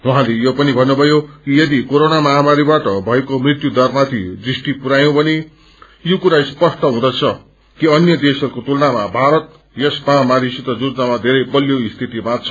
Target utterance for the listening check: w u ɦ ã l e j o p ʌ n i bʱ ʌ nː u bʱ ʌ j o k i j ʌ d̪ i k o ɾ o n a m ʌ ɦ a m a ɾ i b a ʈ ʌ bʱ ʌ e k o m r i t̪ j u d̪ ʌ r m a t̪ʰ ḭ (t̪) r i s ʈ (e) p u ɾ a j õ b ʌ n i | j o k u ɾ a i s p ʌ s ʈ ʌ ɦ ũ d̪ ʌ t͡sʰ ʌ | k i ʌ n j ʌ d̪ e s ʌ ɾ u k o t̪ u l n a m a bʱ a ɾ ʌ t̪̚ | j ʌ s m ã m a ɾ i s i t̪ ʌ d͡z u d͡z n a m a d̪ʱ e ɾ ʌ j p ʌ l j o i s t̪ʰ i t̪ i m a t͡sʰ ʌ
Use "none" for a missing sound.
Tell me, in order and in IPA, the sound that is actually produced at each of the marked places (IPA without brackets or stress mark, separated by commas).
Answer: d̪, i